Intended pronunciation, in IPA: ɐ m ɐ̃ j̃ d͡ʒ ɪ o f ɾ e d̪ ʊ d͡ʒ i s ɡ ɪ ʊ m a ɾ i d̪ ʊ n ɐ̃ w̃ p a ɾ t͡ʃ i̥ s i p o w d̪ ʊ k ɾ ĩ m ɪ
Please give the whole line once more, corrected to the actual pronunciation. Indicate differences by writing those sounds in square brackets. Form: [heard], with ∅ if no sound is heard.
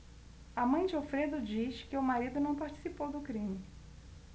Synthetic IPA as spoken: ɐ m ɐ̃ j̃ d͡ʒ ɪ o f ɾ e d̪ ʊ d͡ʒ i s [k] ɪ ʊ m a ɾ i d̪ ʊ n ɐ̃ w̃ p a ɾ t͡ʃ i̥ s i p o w d̪ ʊ k ɾ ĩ m ɪ